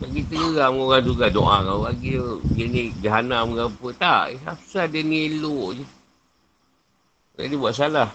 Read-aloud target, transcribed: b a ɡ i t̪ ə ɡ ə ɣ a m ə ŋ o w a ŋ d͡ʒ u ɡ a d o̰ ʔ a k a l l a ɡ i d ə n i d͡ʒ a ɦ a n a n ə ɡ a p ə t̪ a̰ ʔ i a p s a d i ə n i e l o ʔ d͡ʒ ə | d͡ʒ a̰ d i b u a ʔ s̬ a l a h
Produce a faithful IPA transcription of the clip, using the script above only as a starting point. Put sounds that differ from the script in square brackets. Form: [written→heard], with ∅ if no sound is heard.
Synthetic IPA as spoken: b a ɡ i t̪ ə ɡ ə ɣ a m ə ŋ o [w→ɣ] a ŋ d͡ʒ u ɡ a d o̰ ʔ a k a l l a ɡ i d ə n i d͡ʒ a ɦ a n a [n→m] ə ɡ a p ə t̪ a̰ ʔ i a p s a d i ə n i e l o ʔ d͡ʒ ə | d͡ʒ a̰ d i b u a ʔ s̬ a l a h